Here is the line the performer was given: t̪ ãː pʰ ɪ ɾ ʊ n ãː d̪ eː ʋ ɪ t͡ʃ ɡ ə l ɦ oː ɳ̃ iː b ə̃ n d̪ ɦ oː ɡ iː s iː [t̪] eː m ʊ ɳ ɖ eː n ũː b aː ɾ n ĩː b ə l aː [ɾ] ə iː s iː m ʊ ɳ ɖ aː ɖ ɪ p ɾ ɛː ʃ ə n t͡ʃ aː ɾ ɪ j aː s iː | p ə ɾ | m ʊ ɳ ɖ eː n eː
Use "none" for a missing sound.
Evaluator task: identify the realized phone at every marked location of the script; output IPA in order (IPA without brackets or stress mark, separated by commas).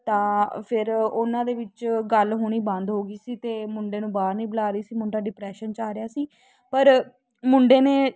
t̪, ɾ